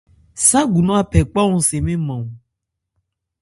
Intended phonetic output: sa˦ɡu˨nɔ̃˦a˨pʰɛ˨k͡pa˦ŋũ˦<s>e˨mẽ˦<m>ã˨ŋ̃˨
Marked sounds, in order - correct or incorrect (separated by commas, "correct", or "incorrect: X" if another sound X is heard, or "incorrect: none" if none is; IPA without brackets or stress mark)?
correct, correct